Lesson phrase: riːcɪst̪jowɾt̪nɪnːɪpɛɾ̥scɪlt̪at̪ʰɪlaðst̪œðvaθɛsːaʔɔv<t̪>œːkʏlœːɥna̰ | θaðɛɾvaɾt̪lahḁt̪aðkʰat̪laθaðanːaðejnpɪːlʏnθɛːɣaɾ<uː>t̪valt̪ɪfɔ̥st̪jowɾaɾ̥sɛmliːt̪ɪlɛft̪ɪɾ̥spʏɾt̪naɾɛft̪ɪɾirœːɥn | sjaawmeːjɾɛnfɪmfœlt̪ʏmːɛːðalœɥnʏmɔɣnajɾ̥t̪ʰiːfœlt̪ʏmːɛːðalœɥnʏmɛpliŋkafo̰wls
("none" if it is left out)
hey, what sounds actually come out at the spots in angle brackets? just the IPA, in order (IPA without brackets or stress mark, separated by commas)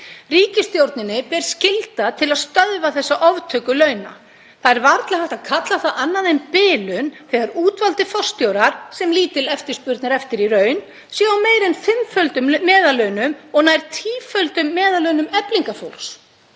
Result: t̪ʰ, uː